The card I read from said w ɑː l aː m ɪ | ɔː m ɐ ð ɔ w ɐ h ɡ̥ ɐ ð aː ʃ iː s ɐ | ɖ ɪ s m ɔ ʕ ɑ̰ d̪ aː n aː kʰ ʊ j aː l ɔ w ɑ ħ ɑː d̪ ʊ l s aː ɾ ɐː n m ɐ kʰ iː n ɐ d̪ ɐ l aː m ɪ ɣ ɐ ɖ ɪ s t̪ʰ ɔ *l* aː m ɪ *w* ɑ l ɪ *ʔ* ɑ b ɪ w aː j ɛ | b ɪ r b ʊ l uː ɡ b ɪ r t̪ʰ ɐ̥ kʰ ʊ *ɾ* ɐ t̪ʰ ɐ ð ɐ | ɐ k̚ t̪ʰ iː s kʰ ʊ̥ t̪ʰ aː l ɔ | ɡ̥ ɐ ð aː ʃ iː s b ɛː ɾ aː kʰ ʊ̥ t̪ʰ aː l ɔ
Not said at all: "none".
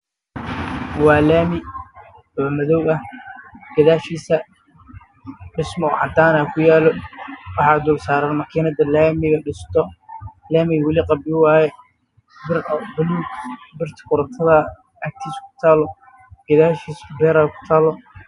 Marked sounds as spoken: l, w, q, ɾ

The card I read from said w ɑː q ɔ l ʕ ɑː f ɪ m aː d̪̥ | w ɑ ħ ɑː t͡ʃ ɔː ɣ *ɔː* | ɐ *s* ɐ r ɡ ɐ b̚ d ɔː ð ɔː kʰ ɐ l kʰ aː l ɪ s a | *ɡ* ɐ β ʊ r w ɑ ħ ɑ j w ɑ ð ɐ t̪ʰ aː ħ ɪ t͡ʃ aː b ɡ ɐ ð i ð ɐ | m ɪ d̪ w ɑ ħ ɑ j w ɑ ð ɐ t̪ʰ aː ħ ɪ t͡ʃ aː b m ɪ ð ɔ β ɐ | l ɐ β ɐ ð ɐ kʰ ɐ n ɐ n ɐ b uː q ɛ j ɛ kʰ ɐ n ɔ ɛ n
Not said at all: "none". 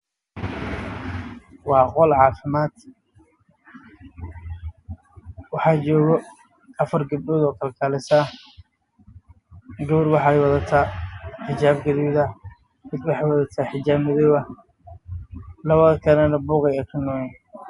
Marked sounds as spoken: ɔ, f, ɡ

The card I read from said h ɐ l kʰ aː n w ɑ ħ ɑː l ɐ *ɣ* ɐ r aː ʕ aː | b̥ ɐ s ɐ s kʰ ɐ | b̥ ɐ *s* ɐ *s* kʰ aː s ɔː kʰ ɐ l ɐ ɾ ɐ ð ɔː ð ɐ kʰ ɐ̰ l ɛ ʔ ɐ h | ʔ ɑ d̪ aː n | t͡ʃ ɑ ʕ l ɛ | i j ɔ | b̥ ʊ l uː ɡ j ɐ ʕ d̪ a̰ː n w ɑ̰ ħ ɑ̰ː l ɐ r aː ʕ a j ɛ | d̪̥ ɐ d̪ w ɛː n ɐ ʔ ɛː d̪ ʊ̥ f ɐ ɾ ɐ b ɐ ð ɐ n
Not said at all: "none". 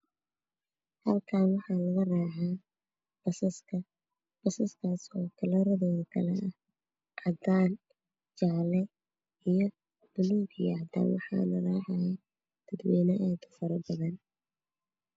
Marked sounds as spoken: ɣ, s, s

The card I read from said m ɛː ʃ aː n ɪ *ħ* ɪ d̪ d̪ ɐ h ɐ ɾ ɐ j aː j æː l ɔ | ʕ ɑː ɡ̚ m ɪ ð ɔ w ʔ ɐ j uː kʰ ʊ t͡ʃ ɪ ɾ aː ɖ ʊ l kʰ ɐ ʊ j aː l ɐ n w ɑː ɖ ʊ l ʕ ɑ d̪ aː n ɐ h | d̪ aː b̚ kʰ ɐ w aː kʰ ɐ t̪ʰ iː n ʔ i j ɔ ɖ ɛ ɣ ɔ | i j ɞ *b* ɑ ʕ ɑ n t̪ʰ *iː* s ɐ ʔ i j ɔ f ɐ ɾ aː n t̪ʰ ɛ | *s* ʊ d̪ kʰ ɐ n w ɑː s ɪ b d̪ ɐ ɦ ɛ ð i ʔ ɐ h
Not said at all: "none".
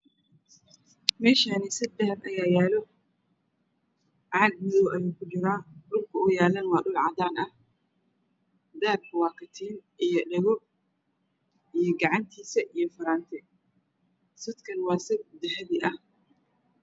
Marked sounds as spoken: s, ɡ, iː, s

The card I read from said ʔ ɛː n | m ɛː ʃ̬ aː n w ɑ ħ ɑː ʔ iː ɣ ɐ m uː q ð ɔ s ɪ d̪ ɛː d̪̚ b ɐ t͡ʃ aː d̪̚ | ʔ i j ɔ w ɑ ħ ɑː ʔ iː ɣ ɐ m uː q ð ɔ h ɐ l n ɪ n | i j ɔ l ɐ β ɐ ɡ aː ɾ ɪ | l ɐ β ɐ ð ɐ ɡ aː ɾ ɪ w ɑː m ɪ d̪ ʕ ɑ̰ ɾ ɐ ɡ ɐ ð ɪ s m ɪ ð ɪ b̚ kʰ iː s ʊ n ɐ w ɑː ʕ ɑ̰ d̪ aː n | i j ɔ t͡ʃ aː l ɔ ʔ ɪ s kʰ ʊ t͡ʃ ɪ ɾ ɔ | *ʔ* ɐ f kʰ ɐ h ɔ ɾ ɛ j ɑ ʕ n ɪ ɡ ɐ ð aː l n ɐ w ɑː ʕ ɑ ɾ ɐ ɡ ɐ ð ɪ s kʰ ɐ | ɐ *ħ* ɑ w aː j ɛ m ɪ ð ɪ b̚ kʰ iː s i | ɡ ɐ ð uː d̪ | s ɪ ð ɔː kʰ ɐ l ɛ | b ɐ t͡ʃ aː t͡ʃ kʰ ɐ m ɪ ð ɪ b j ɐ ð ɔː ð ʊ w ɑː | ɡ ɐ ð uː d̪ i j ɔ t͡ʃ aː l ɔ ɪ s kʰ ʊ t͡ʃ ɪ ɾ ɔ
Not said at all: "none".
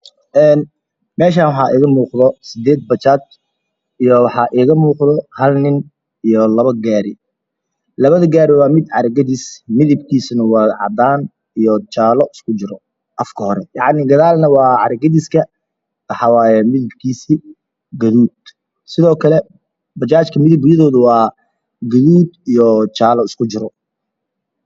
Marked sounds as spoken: ʔ, ħ

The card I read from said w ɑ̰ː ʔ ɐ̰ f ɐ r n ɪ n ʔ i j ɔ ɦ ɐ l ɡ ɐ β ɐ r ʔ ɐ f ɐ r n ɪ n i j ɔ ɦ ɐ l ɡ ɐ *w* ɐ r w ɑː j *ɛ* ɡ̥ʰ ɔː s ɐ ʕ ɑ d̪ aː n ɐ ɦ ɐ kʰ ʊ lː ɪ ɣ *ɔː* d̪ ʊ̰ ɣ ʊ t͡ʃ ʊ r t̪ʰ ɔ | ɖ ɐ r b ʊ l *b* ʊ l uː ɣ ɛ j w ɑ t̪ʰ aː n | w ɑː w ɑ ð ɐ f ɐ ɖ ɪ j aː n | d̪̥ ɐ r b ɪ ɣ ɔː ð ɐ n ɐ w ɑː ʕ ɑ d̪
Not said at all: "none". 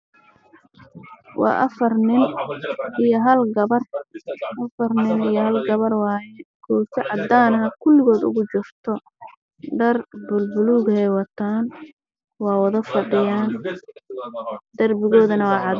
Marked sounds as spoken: β, ɛ, ɔː, b

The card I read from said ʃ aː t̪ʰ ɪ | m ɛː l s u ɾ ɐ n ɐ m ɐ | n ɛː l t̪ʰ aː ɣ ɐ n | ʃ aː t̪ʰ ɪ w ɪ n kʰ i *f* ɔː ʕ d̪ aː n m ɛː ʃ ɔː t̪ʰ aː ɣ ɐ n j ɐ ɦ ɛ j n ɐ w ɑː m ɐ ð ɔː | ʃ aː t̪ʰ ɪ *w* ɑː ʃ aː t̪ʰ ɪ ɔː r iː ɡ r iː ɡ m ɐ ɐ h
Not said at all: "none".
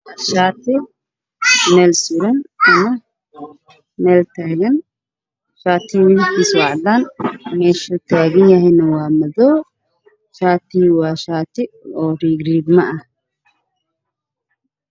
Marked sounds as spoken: s, w

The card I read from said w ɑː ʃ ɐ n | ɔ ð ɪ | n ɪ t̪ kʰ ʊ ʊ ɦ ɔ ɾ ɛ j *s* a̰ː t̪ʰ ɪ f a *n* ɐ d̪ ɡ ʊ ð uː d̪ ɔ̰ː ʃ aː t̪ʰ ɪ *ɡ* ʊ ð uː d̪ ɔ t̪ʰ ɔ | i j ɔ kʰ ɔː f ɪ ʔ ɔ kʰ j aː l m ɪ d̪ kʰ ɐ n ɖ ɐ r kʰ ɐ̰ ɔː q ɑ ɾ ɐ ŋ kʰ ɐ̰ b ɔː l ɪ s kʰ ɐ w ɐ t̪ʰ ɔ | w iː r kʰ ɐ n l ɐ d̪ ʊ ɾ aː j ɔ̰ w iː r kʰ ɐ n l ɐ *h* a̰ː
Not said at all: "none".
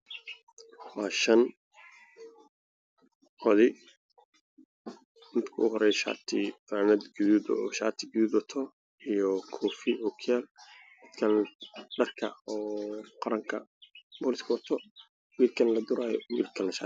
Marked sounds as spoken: ʃ, n, ɡ, ʃ

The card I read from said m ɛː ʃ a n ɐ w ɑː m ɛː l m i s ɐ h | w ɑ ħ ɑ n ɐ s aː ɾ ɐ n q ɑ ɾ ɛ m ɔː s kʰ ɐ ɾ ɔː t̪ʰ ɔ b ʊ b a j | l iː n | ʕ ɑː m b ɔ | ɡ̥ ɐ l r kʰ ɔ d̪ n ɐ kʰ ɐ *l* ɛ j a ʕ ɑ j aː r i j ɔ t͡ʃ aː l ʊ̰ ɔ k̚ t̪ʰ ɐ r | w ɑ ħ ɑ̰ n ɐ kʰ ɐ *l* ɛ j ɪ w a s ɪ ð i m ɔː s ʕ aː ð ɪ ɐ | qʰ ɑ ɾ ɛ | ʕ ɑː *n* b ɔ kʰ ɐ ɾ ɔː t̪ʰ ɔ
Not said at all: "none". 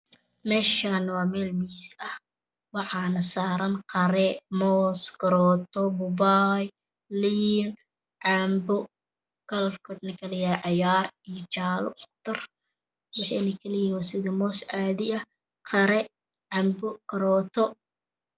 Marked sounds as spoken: l, l, m

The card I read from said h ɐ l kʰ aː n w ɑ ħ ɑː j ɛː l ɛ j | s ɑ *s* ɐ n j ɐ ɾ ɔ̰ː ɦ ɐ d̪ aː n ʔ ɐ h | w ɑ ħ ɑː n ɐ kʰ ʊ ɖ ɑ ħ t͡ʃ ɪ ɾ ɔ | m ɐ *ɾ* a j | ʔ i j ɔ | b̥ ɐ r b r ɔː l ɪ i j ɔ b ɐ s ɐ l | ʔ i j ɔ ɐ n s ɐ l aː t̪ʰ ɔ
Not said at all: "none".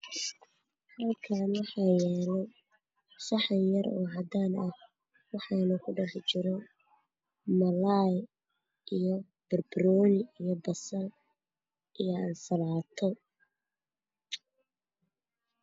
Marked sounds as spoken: ħ, l

